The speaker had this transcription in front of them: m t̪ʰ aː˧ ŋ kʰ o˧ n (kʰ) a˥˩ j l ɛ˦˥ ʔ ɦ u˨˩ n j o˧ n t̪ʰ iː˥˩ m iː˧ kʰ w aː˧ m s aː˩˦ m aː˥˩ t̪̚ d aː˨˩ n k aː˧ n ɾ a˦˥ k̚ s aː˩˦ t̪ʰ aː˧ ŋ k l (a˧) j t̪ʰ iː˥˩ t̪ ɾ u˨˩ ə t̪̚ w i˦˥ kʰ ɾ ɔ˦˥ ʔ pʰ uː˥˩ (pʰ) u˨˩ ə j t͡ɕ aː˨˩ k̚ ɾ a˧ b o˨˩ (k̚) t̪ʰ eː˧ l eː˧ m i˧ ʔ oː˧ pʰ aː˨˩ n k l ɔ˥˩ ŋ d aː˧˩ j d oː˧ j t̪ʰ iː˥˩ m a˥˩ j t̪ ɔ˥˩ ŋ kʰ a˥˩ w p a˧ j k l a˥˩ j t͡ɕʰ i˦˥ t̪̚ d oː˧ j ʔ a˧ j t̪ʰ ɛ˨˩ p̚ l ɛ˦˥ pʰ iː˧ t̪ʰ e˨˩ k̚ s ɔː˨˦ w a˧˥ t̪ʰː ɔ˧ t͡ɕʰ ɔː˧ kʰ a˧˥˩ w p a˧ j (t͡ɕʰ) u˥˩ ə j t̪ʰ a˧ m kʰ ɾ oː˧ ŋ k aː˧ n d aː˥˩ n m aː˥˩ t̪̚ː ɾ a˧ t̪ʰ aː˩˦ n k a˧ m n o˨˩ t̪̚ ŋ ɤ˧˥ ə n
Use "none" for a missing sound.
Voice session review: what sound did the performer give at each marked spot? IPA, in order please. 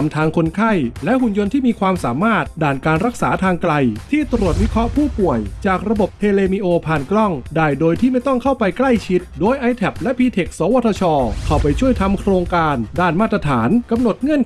kʰ, a˧, p, p̚, t͡ɕʰ

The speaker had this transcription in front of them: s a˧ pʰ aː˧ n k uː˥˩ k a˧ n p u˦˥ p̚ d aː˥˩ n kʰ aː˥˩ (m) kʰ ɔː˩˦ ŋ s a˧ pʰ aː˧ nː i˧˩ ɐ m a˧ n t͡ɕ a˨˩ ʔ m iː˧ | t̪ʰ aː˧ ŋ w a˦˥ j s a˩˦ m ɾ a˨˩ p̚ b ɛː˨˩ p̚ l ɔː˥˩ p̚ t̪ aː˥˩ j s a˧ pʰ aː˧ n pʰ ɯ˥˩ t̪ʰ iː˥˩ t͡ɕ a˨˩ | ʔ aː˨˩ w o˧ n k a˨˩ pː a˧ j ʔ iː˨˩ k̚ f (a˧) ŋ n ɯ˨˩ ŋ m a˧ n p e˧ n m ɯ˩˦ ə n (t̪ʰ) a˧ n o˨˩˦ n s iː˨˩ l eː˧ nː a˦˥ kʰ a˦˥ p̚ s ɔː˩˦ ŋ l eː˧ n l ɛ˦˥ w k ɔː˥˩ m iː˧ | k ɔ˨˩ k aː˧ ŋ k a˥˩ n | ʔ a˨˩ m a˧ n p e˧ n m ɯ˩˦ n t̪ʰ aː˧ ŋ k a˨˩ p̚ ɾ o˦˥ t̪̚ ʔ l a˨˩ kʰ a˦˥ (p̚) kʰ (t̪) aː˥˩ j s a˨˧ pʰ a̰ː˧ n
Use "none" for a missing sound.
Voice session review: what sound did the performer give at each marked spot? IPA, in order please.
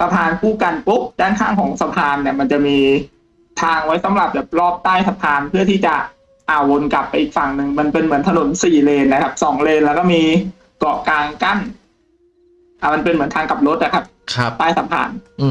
ŋ, a˨˩, t̪ʰ, p̚, t̪

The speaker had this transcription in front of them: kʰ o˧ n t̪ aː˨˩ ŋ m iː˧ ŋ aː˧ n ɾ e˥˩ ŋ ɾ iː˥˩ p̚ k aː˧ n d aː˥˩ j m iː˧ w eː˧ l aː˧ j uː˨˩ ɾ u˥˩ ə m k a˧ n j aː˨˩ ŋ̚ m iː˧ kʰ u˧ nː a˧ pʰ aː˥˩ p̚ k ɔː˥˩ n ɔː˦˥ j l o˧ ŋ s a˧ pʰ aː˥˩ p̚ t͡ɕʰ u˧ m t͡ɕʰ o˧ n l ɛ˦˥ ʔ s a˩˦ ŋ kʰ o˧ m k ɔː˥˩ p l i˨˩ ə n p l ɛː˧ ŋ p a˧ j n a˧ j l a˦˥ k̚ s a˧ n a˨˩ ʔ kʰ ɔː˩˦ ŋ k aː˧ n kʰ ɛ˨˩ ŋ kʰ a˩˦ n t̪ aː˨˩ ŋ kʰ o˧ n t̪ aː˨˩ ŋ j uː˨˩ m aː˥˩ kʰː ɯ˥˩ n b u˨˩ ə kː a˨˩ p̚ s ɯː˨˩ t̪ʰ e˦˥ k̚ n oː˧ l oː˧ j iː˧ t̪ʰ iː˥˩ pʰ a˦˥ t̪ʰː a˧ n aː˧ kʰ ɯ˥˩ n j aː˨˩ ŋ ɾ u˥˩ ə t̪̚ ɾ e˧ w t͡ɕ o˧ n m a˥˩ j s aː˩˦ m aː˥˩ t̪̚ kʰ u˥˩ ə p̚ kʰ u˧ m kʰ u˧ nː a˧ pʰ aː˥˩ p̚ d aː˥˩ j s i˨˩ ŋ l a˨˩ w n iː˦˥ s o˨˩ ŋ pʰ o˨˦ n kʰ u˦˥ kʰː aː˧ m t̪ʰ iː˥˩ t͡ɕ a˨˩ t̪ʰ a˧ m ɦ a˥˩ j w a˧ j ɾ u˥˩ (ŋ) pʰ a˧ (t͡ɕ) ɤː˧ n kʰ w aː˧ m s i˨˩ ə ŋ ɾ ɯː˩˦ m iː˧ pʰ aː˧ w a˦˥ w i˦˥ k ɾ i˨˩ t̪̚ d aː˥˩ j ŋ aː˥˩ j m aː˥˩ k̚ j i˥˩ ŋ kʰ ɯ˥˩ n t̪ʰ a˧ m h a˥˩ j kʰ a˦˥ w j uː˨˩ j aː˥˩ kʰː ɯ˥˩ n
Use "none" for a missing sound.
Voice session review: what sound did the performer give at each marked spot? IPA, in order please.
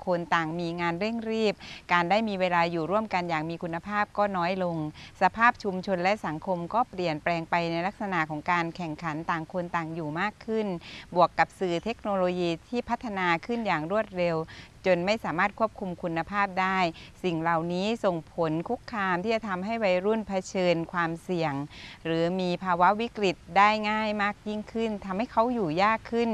n, t͡ɕʰ

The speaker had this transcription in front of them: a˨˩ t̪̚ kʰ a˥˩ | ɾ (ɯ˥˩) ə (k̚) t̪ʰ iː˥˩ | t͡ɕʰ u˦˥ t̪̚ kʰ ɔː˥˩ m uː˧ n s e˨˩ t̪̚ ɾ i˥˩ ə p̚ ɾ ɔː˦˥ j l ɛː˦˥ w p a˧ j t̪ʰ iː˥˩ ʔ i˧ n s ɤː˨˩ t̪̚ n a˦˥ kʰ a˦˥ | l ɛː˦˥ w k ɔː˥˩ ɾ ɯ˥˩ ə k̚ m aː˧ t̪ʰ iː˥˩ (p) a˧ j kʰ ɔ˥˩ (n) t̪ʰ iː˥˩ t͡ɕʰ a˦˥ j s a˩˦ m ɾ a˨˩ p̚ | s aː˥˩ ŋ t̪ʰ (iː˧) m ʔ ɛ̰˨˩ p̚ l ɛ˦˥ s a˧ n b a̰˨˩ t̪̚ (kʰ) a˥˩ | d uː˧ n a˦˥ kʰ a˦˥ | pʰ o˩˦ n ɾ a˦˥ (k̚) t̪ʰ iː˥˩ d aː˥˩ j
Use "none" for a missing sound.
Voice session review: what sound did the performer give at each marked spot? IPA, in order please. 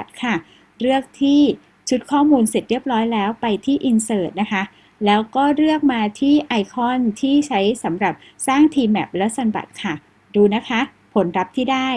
ɯ˥˩, k̚, ʔ, n, iː˧, kʰ, p̚

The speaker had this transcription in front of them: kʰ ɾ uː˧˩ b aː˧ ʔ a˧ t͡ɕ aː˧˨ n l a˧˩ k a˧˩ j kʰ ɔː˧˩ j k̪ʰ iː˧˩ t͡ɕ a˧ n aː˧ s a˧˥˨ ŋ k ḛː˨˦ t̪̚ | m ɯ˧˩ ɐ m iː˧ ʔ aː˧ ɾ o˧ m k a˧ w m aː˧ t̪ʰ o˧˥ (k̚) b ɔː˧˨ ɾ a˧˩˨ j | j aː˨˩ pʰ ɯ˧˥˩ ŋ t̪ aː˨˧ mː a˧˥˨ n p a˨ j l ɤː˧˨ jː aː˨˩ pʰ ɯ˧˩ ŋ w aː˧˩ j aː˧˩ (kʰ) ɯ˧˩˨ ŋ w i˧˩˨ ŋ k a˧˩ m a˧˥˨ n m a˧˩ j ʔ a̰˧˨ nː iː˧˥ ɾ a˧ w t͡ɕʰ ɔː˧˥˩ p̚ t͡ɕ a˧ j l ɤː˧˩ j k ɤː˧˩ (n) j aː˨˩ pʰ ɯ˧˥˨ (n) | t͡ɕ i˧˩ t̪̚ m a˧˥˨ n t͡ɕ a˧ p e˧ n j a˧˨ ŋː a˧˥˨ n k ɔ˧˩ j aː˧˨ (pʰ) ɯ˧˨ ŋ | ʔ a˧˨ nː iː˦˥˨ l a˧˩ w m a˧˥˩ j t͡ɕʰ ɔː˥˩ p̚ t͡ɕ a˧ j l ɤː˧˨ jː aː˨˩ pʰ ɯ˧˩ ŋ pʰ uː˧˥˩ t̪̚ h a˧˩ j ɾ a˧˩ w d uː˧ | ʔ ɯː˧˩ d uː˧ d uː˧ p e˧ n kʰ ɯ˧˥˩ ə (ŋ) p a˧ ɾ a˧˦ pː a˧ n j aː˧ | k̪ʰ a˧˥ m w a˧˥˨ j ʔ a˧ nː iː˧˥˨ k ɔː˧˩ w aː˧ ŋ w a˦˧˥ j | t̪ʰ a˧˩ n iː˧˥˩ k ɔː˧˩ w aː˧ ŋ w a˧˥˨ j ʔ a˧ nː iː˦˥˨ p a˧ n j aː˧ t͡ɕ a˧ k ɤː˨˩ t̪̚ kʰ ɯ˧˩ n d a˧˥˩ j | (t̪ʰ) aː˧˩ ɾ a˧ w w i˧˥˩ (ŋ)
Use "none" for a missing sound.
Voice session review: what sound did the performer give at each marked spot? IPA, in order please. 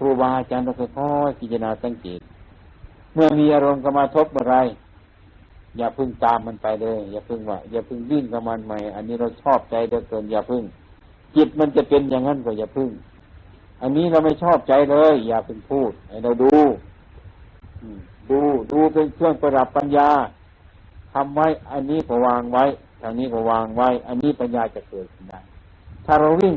p̚, pʰ, n, ŋ, pʰ, ŋ, t̪ʰ, ŋ

